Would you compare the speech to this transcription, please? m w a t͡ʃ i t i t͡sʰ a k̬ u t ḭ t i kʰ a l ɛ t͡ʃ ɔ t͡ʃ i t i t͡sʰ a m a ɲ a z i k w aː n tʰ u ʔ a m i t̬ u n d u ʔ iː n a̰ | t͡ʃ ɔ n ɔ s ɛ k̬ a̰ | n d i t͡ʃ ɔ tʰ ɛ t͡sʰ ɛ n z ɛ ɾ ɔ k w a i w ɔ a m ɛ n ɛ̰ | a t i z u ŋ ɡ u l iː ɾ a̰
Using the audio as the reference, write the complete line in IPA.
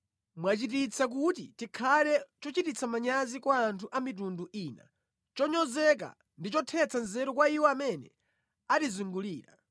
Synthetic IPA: m w a t͡ʃ i t i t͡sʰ a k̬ u t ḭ t i kʰ a l ɛ t͡ʃ ɔ t͡ʃ i t i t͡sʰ a m a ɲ a z i k w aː n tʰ u ʔ a m i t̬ u n d u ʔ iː n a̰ | t͡ʃ ɔ ɲ ɔ z ɛ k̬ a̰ | n d i t͡ʃ ɔ tʰ ɛ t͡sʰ a n z ɛ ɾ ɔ k w a i w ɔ a m ɛ n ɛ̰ | a t i z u ŋ ɡ u l iː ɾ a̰